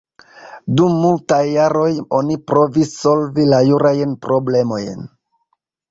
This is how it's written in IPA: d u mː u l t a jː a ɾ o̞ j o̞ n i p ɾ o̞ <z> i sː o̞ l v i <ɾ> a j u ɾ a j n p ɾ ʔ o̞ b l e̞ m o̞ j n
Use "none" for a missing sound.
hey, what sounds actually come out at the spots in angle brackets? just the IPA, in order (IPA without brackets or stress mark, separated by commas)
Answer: v, l